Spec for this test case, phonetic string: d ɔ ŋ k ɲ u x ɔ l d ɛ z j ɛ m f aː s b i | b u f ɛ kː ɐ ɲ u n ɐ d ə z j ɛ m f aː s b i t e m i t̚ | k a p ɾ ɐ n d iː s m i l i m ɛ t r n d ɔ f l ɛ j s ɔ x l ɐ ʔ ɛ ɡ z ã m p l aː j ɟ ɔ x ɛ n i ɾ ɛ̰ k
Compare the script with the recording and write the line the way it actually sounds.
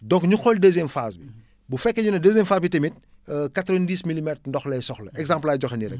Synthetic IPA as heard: d ɔ ŋ k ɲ u x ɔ l d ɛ z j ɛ m f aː s b i | b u f ɛ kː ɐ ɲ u n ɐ d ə z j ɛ m f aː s b i t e m i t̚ | k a t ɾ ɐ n d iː s m i l i m ɛ t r n d ɔ x l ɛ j s ɔ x l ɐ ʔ ɛ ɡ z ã m p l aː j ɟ ɔ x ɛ n i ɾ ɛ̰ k